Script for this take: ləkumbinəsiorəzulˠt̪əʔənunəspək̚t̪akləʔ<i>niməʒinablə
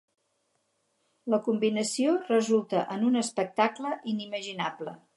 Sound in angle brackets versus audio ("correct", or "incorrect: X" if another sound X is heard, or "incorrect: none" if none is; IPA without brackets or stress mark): correct